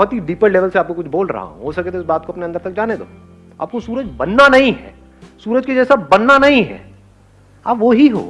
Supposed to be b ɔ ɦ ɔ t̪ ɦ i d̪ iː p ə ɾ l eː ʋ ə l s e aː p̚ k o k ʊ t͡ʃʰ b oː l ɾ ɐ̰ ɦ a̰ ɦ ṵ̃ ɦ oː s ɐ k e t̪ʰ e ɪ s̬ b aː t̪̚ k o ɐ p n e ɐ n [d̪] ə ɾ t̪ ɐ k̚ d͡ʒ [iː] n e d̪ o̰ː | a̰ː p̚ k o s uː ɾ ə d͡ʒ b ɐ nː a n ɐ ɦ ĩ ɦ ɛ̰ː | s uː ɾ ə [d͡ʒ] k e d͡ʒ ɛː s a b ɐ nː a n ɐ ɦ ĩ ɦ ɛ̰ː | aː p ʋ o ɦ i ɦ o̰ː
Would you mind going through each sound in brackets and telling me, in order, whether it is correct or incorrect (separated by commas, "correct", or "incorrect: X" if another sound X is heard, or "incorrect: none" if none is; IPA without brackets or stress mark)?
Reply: correct, incorrect: aː, correct